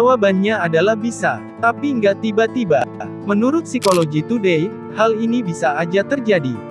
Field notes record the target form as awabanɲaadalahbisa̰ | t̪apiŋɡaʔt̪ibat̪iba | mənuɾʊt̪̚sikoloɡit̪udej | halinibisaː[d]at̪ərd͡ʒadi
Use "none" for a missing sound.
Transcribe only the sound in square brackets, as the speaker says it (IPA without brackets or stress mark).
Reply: d͡ʒ